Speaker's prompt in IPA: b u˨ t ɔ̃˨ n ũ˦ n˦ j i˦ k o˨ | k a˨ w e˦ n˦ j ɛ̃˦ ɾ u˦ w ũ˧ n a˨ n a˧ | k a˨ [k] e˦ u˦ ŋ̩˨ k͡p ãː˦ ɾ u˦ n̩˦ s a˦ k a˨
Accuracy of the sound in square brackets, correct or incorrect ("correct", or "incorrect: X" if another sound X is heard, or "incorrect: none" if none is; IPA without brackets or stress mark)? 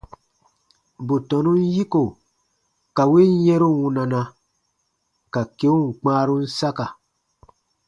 correct